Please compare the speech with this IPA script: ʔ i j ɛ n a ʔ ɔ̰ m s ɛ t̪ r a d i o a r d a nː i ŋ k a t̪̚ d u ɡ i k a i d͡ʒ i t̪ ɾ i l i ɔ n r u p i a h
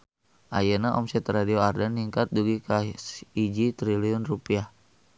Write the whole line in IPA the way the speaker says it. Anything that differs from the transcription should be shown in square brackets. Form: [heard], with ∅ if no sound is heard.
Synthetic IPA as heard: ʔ [a] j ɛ n a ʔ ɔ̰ m s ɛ t̪ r a d i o a r d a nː i ŋ k a t̪̚ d u ɡ i k a i d͡ʒ i t̪ ɾ i l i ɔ n r u p i a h